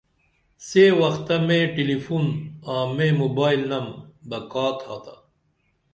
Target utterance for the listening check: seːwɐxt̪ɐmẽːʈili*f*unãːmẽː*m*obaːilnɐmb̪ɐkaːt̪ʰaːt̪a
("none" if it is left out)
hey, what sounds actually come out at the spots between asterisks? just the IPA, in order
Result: f, m

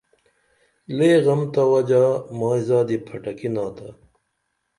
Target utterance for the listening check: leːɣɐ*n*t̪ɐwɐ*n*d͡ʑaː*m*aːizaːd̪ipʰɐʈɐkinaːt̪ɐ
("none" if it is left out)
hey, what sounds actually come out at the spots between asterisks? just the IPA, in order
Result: m, none, m

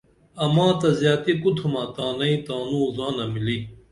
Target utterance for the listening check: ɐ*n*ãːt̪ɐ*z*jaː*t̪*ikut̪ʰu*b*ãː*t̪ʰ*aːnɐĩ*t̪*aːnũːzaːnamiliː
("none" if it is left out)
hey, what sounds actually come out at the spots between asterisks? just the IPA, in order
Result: m, z, t̪, m, t̪, t̪

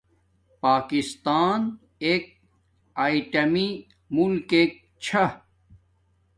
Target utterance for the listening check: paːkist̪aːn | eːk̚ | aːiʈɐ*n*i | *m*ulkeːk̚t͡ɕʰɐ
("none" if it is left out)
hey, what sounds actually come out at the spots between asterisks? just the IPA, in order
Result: m, m

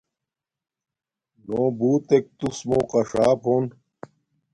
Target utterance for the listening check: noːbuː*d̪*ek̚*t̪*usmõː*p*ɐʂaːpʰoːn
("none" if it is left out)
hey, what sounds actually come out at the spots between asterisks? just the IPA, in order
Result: t̪, t̪, q

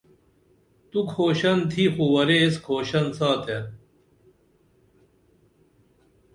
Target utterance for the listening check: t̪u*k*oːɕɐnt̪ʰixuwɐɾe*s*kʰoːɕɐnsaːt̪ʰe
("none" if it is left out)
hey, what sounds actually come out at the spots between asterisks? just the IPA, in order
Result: kʰ, s

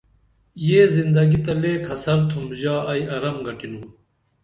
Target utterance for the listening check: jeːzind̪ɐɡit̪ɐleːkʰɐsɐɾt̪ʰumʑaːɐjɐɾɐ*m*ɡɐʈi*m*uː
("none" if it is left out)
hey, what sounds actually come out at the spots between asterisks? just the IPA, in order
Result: m, n

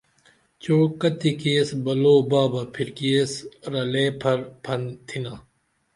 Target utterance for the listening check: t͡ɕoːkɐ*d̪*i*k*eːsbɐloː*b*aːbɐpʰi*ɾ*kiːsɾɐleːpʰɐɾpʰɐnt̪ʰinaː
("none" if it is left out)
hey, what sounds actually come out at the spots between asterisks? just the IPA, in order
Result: t̪, k, b, ɾ

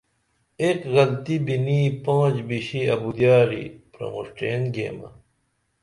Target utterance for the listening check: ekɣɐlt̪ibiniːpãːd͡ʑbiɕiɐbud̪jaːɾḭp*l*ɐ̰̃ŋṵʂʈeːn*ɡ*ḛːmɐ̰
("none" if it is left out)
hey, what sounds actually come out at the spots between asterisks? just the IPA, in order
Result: ɾ, ɡ

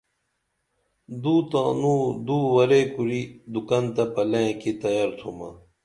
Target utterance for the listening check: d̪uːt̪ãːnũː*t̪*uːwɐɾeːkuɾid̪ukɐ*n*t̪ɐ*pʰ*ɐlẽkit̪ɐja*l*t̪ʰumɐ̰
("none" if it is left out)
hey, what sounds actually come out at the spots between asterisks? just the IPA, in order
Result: d̪, n, p, ɾ

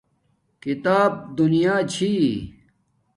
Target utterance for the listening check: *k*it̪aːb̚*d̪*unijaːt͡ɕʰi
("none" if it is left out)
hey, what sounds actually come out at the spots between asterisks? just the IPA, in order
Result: k, d̪

